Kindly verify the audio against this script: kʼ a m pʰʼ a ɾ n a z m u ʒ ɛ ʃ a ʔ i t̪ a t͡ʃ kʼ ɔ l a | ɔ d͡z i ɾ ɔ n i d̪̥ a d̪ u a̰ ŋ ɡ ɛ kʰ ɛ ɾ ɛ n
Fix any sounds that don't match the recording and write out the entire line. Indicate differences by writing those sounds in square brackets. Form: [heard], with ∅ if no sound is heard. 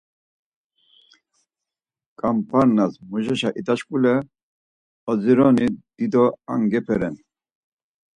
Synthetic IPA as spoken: kʼ a m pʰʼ a ɾ n a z m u ʒ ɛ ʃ a ʔ i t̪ a t͡ʃ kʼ [u] l [ɛ] | ɔ d͡z i ɾ ɔ n i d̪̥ [i] d̪ [ɔ] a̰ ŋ ɡ ɛ [pʰ] ɛ ɾ ɛ n